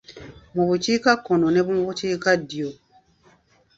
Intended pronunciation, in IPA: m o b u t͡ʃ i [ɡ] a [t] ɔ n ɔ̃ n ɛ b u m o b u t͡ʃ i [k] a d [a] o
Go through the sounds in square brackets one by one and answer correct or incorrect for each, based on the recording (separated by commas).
incorrect, incorrect, correct, incorrect